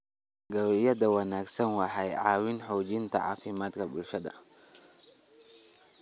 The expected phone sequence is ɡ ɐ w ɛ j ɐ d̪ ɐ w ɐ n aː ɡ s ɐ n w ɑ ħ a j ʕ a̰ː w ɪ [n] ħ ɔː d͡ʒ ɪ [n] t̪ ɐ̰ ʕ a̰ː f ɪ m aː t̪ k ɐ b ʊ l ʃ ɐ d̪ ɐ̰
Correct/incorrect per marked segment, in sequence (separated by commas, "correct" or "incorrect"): correct, correct